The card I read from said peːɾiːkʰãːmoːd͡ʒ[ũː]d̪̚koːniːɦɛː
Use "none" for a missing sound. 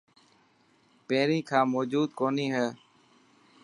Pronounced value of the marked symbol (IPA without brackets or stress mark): uː